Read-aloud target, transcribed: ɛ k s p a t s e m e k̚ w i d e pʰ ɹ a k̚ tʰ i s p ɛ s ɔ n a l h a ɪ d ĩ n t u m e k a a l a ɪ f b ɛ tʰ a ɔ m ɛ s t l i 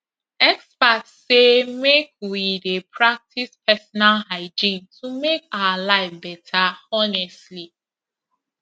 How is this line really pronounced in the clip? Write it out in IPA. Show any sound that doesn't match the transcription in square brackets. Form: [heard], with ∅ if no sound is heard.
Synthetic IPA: ɛ k s p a t s e m e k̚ w i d e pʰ ɹ a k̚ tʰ i s p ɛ s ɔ n a l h a ɪ [d͡ʒ] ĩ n t u m e k a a l a ɪ f b ɛ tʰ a ɔ [n] ɛ s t l i